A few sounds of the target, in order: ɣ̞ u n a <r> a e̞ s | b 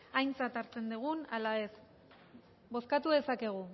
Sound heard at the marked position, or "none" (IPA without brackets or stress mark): l